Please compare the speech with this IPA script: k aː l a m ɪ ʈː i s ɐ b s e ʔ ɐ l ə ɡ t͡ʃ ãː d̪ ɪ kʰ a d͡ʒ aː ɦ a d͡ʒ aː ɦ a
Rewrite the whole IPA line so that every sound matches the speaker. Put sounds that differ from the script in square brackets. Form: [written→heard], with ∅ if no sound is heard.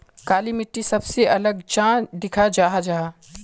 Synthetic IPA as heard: k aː l [a→i] m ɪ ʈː i s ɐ b s e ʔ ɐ l ə ɡ t͡ʃ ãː d̪ ɪ kʰ a d͡ʒ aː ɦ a d͡ʒ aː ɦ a